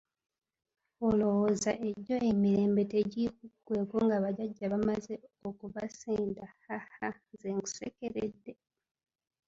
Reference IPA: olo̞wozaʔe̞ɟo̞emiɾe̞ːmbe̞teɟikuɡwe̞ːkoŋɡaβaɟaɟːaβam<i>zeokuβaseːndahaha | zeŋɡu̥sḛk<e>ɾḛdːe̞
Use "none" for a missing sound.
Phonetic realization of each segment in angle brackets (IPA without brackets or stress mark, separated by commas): a, e